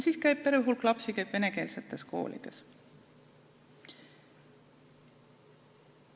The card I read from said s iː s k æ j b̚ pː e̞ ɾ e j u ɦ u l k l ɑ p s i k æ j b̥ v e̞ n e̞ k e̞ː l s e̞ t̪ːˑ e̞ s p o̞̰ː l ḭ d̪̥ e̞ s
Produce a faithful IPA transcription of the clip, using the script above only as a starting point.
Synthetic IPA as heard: s iː s k æ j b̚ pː e̞ ɾ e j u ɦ u l k l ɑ p s i k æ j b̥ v e̞ n e̞ k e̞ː l s e̞ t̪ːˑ e̞ s k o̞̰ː l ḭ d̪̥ e̞ s